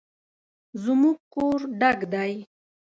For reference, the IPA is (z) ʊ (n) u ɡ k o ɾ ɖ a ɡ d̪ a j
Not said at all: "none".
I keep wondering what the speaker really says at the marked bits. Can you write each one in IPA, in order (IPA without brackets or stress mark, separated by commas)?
z, m